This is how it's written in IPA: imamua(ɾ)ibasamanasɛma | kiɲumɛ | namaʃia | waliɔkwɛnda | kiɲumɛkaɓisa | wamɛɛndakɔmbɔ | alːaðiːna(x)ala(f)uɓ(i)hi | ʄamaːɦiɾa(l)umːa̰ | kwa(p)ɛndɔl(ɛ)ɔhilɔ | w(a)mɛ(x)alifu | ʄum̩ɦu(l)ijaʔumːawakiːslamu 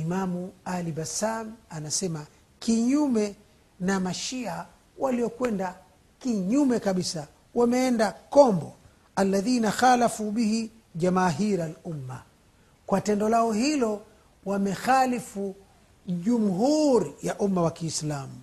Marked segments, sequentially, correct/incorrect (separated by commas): incorrect, correct, correct, correct, correct, incorrect, incorrect, correct, correct, incorrect